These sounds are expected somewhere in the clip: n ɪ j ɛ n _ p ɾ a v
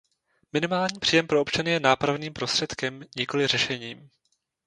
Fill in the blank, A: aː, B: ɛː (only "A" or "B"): A